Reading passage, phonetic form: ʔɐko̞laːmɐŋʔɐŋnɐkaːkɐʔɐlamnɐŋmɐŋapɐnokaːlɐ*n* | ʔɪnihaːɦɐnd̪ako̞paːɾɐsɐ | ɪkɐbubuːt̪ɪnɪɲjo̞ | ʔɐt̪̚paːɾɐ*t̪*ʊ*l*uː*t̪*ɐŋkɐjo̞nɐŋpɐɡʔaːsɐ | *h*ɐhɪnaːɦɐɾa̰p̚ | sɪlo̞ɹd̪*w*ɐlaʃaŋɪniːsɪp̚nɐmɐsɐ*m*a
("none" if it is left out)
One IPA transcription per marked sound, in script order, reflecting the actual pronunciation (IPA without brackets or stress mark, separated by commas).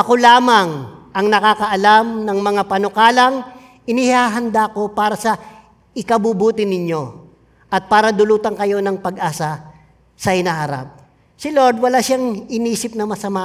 ŋ, d̪, l, t̪, s, w, m